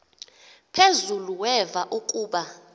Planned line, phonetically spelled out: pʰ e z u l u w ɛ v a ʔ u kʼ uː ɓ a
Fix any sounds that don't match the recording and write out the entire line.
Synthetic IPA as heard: pʰ e z u l u w ɛ v a ʔ u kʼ uː ɓ a

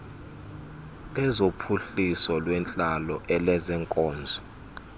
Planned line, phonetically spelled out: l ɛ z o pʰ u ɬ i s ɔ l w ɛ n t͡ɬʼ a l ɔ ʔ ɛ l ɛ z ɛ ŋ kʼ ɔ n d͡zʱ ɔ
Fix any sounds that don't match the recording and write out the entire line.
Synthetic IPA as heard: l ɛ z o pʰ u ɬ i s ɔ l w ɛ n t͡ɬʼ a l ɔ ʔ ɛ l ɛ z ɛ ŋ kʼ ɔː n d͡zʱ ɔ

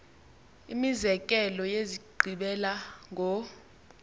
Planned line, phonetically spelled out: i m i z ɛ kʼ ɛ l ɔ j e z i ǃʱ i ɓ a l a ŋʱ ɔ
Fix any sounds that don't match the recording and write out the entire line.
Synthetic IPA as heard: i m i z ɛ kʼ ɛ l ɔ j e z i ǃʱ i ɓ ɛ l a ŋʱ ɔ

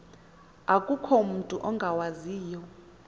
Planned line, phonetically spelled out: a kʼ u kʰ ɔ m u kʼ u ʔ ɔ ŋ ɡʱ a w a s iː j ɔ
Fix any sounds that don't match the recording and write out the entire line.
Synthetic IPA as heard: a kʼ u kʰ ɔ m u tʼ u ʔ ɔ ŋ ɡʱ a w a z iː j ɔ

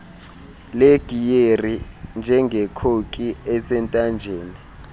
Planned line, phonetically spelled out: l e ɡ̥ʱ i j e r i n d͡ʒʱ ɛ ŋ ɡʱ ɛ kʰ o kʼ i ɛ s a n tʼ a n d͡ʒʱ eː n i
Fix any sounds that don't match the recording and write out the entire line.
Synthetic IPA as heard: l e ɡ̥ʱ i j e r i n d͡ʒʱ ɛ ŋ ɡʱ ɛ kʰ o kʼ i ɛ s ɛ n tʼ a n d͡ʒʱ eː n i

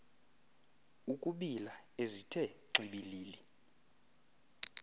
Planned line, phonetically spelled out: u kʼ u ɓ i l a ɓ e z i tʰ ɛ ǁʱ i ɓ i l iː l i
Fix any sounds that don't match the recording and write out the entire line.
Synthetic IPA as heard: u kʼ u ɓ i l a e z i tʰ ɛ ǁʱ i ɓ i l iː l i

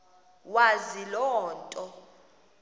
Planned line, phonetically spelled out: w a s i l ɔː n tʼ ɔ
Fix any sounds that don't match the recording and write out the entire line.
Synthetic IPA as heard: w a z i l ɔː n tʼ ɔ

